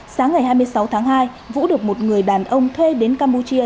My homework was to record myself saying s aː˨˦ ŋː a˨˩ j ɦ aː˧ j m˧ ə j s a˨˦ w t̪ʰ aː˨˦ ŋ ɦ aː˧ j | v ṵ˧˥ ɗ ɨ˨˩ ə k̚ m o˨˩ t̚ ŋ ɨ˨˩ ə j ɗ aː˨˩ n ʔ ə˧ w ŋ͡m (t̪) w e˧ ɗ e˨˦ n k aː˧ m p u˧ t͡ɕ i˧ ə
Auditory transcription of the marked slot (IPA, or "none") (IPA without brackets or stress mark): t̪ʰ